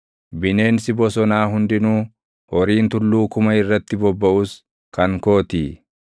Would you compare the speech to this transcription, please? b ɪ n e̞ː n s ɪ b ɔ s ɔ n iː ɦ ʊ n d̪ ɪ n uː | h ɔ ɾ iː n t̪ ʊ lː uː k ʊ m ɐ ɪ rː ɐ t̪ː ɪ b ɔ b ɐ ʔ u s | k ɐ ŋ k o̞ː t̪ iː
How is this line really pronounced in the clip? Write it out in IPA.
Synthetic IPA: b ɪ n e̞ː n s ɪ b ɔ s ɔ n aː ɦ ʊ n d̪ ɪ n uː | h ɔ ɾ iː n t̪ ʊ lː uː k ʊ m ɐ ɪ rː ɐ t̪ː ɪ b ɔ bː ɐ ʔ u s | k ɐ ŋ k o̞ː t̪ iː